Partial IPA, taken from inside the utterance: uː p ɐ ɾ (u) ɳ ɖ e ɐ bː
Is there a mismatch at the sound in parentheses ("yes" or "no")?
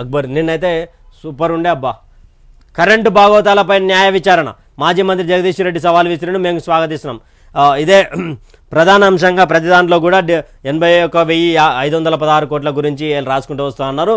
no